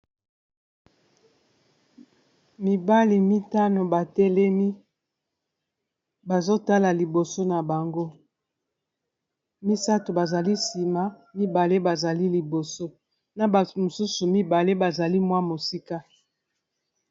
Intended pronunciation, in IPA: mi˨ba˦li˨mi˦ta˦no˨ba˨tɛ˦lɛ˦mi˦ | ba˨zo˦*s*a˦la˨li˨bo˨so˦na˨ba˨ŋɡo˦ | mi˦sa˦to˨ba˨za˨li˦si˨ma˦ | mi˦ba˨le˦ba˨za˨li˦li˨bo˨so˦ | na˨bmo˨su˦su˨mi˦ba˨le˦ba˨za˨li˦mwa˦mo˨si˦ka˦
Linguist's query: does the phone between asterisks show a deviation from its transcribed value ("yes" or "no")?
yes